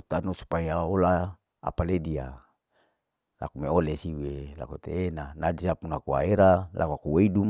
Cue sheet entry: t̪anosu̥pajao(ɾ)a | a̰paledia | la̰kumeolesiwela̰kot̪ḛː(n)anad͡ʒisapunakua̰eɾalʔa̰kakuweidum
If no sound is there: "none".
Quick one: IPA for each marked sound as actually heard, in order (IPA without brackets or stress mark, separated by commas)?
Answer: l, n